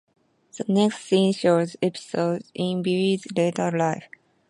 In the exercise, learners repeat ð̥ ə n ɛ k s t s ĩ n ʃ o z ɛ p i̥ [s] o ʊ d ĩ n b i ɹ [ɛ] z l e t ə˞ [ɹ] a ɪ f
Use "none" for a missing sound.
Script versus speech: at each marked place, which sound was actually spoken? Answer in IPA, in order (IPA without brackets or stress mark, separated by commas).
s, i, l